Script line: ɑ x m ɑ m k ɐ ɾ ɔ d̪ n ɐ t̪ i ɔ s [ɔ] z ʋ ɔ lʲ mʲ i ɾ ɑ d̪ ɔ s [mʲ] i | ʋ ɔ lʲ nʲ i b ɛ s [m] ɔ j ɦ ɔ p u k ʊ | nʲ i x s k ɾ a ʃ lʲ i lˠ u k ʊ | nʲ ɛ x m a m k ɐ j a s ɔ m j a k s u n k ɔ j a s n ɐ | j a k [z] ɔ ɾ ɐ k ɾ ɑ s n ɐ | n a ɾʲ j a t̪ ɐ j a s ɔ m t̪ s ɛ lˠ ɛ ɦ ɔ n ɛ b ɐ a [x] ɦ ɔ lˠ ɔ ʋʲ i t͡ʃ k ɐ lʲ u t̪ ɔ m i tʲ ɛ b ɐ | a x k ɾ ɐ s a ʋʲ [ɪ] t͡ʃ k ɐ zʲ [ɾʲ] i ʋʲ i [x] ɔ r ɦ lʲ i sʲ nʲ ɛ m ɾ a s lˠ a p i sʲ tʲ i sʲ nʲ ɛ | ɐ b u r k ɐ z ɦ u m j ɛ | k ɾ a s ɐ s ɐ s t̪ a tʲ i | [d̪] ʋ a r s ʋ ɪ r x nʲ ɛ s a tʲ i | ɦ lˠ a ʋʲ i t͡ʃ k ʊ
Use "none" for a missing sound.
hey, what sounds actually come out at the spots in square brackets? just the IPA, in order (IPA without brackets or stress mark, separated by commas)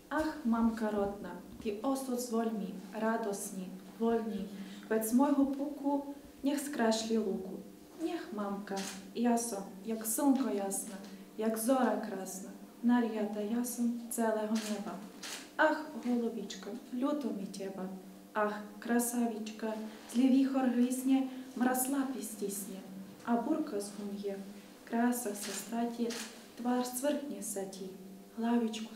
ɔ, nʲ, m, z, x, i, lʲ, x, t̪